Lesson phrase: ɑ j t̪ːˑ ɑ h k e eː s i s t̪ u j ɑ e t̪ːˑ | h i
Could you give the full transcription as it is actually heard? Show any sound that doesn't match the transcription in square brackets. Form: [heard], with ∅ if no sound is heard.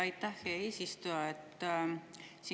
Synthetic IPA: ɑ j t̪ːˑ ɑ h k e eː s i s t̪ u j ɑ e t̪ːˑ | [s] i

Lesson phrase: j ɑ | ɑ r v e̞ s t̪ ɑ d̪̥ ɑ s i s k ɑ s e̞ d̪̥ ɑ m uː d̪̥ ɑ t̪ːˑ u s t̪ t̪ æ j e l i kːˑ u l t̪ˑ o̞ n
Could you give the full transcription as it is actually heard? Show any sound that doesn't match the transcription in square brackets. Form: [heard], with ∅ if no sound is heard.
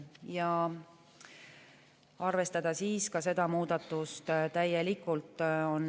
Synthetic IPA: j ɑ | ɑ r v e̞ s t̪ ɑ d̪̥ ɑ s [iː] s k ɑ s e̞ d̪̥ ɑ m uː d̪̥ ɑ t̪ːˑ u s t̪ t̪ æ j e l i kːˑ u l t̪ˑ o̞ n

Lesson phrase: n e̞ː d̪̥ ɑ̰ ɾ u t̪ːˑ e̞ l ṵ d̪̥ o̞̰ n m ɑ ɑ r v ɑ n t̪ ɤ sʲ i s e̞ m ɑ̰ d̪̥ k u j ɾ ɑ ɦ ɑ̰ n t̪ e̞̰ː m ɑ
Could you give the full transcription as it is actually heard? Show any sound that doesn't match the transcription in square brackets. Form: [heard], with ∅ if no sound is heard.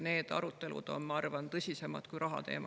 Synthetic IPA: n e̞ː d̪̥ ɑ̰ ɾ u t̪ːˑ e̞ l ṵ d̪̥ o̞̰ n m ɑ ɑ r v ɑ n t̪ ɤ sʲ i s e̞ m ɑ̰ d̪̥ k u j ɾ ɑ ɦ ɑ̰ [∅] t̪ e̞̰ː m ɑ

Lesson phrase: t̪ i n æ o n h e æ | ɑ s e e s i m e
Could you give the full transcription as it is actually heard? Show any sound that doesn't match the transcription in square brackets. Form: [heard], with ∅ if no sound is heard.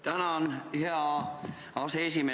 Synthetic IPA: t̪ [æ] n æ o n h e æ | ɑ s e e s i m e

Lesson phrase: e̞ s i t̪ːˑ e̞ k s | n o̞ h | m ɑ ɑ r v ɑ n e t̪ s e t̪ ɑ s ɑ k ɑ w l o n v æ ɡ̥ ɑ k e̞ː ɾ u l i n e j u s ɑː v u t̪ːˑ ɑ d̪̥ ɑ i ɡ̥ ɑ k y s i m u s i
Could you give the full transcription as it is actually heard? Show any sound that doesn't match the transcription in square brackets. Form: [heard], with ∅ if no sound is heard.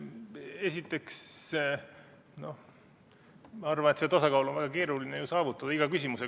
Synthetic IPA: e̞ s i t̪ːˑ e̞ k s | n o̞ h | m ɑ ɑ r v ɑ n e t̪ s e t̪ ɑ s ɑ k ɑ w l o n v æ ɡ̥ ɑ k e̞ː ɾ u l i n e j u s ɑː v u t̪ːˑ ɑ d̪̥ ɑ i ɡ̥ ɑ k y s i m u s [e]

